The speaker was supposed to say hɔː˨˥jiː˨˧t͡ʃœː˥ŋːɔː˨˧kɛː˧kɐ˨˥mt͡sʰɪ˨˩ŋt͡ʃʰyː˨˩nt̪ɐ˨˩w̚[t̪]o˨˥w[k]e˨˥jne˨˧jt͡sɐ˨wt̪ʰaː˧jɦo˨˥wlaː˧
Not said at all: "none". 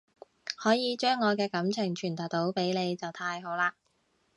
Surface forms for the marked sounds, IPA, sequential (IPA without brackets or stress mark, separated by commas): t̪, p